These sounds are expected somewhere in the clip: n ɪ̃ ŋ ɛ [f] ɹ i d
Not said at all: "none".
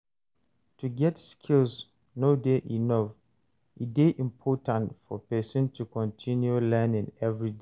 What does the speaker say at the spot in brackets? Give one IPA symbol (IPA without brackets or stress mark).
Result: v